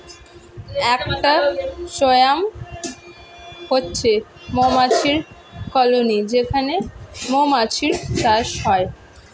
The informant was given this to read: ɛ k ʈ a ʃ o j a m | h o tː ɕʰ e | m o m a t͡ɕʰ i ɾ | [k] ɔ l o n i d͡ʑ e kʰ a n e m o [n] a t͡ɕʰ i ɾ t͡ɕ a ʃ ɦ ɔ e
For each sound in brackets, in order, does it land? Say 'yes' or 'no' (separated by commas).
yes, no